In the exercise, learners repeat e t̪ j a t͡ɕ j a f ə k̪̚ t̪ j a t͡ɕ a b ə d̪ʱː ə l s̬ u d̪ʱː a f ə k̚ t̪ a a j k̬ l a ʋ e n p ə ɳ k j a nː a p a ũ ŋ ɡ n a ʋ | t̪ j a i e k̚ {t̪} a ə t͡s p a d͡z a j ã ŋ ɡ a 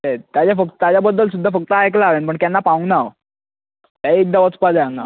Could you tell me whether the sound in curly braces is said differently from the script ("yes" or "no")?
yes